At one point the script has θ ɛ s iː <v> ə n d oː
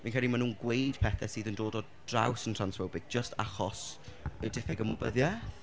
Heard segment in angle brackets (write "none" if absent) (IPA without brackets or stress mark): ð